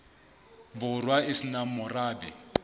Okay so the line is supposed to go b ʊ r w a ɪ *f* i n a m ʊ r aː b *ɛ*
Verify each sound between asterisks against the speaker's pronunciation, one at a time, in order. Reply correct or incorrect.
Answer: incorrect: s, correct

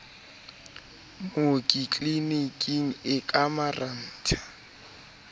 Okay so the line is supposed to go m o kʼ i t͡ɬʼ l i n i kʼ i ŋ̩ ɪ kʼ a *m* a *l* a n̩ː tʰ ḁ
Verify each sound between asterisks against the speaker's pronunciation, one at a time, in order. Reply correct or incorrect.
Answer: correct, incorrect: r

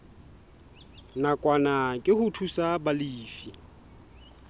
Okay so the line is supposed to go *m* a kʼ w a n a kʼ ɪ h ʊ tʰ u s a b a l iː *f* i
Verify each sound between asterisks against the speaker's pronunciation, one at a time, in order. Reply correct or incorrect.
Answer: incorrect: n, correct

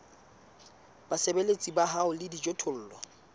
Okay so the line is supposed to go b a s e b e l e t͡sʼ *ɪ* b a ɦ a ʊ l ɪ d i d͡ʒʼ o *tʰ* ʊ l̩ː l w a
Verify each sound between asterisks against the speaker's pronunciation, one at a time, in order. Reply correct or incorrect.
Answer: incorrect: i, correct

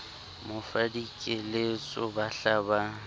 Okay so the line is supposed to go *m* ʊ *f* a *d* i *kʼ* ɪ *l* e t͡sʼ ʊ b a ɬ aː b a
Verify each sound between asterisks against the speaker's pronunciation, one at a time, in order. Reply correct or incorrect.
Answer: correct, correct, correct, correct, correct

